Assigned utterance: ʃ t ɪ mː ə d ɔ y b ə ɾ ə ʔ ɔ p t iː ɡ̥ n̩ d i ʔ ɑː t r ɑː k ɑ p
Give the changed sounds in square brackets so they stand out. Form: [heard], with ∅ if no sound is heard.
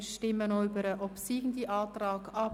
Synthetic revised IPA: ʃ t ɪ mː ə [n] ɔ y b ə ɾ ə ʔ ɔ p [s] iː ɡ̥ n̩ d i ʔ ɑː t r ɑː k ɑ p